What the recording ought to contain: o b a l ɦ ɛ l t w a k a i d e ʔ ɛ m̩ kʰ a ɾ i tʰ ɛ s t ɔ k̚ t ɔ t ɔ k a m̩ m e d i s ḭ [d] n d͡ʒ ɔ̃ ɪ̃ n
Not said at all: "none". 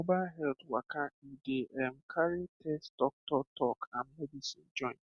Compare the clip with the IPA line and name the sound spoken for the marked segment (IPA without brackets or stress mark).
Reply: none